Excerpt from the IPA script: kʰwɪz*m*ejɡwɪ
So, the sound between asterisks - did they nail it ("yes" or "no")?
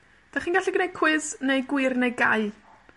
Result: no